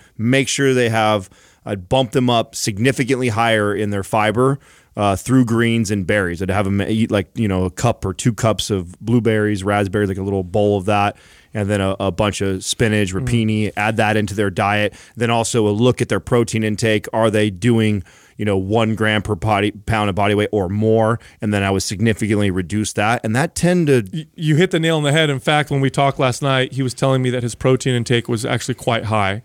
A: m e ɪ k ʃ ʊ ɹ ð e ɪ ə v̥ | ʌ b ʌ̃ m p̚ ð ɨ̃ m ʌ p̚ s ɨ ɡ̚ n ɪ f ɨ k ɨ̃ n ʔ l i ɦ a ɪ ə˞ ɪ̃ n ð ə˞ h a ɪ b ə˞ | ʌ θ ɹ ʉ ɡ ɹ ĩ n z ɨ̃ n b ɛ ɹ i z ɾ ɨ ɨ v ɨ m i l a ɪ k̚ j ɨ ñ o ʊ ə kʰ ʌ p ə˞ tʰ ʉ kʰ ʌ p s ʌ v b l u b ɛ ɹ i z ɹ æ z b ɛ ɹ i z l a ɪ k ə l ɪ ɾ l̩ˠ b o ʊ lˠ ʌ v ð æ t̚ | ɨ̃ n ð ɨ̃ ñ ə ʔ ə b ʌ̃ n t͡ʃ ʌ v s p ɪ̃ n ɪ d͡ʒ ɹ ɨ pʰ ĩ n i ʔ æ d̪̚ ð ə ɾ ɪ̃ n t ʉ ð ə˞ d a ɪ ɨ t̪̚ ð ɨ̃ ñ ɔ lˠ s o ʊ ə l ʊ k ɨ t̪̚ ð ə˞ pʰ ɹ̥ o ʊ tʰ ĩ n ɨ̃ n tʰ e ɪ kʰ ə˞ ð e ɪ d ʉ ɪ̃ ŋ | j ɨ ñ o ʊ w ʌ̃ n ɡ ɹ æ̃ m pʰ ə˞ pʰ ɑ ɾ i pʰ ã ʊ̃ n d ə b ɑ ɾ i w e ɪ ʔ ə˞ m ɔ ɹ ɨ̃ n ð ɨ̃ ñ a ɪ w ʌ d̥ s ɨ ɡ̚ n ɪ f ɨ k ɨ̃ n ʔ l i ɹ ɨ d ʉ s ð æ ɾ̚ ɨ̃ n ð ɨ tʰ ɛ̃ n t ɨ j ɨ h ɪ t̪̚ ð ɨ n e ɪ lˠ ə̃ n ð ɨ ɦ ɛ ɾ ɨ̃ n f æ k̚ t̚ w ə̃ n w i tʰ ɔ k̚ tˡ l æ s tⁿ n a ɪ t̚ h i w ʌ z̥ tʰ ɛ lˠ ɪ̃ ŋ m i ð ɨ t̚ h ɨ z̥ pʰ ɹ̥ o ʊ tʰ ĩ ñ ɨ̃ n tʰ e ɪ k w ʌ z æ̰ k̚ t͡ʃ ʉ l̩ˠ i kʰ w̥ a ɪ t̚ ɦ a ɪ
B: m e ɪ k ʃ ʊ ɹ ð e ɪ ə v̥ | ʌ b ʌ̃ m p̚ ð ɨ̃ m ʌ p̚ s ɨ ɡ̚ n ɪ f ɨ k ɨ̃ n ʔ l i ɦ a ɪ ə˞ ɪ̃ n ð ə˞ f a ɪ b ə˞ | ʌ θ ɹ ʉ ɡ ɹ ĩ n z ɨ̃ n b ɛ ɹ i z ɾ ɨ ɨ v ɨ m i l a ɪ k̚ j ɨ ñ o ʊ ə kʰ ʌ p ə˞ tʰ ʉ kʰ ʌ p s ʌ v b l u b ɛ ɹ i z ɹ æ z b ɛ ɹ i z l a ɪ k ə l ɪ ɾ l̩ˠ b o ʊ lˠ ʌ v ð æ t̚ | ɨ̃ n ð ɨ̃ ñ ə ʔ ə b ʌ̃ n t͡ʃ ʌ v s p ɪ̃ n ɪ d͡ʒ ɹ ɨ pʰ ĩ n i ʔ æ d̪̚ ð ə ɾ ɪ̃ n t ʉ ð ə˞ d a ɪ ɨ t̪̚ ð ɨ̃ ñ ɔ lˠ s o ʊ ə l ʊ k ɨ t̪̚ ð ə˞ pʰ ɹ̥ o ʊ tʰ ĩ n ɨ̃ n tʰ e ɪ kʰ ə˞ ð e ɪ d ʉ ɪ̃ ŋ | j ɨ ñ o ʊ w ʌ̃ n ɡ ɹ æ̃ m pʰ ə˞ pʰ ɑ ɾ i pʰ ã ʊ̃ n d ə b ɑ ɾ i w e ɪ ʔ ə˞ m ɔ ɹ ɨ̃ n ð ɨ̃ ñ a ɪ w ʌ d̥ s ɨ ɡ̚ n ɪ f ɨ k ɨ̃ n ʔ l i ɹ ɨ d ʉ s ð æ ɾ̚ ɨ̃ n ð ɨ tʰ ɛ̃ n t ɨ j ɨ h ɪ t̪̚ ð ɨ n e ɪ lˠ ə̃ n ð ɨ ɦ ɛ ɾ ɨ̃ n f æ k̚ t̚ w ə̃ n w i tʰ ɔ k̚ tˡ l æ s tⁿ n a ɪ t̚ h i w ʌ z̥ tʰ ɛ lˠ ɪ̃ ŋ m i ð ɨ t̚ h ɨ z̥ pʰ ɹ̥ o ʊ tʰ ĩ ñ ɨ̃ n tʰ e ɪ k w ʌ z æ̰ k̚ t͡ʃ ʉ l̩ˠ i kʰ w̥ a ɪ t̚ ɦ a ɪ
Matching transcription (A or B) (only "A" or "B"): B